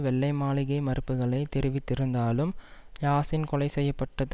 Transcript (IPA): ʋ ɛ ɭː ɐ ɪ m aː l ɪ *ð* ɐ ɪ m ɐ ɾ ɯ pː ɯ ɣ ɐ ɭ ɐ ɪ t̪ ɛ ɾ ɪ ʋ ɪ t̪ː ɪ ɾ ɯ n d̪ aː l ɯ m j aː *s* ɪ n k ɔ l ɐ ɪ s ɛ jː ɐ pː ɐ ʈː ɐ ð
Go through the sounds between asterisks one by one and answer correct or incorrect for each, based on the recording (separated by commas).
incorrect, correct